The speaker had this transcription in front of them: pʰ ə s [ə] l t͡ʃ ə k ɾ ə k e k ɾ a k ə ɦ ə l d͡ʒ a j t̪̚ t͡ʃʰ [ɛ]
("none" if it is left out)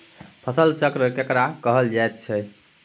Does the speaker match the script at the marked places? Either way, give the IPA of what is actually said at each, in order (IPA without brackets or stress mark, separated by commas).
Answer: ə, ɛ